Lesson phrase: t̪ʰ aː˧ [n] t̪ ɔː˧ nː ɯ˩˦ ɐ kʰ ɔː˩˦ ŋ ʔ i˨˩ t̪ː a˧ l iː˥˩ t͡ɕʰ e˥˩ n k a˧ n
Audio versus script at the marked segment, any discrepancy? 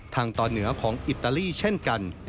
yes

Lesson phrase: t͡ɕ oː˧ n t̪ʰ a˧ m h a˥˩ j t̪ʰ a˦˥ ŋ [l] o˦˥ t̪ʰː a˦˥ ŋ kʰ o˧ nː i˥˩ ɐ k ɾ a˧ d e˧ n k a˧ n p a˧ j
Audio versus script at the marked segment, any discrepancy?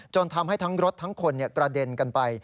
yes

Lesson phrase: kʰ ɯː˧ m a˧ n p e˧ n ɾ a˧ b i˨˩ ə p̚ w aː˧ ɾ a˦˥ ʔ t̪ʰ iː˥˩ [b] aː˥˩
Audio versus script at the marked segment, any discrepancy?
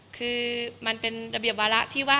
yes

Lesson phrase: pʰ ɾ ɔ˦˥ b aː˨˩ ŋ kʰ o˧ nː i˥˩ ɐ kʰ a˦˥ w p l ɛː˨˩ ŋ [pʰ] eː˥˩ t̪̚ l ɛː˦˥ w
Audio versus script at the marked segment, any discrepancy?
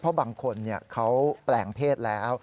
no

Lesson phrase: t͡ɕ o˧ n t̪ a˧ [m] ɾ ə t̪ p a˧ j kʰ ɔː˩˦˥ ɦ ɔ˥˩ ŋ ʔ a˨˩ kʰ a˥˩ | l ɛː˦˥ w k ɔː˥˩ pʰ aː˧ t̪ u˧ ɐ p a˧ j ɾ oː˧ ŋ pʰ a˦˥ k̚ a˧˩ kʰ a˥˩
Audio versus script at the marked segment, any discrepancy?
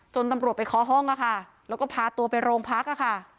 no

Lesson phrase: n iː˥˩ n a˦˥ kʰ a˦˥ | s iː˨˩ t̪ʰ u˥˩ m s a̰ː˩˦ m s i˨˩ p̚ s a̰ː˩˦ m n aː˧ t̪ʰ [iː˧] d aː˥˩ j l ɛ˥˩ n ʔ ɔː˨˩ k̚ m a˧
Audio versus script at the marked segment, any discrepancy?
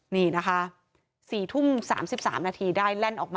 no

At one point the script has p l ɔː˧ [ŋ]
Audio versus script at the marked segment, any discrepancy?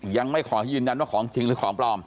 yes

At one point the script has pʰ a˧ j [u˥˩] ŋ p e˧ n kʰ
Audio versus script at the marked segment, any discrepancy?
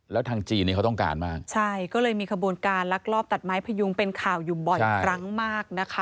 yes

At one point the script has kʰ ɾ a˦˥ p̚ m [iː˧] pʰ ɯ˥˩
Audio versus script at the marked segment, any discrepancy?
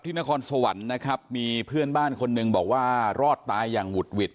no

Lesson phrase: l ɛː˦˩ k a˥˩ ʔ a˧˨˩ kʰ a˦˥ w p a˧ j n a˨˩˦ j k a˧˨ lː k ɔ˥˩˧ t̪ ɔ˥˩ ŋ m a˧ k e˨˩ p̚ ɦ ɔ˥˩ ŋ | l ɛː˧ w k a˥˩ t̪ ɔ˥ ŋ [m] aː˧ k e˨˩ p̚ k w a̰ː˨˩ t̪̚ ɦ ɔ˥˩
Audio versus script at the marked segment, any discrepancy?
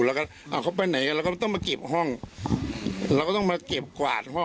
no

